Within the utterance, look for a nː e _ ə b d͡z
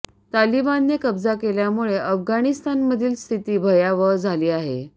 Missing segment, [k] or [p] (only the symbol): k